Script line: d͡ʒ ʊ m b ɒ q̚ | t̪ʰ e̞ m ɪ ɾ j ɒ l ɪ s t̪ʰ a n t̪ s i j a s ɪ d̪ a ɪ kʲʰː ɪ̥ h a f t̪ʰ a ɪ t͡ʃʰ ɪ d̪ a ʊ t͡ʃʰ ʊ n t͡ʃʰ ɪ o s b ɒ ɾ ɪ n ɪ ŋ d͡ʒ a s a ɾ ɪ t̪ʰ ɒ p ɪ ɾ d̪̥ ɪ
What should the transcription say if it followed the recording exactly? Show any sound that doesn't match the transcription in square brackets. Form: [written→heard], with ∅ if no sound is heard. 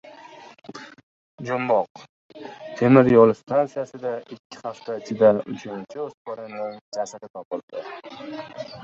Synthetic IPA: d͡ʒ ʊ m b ɒ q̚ | t̪ʰ e̞ m ɪ ɾ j ɒ l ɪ s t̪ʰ a n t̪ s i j a s ɪ d̪ a ɪ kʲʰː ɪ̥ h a f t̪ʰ a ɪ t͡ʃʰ ɪ d̪ a ʊ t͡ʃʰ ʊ n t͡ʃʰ ɪ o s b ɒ ɾ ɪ n ɪ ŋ d͡ʒ a s a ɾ ɪ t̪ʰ ɒ p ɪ [ɾ→l] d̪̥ ɪ